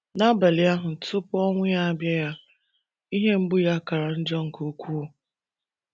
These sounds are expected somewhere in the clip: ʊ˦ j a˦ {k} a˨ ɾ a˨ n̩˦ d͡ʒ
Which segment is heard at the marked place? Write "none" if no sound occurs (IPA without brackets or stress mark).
k